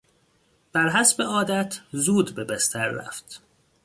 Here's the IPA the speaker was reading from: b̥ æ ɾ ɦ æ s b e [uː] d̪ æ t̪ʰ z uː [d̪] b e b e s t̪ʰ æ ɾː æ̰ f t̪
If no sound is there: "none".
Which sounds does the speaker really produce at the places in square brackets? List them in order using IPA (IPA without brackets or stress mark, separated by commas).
ɒː, d̪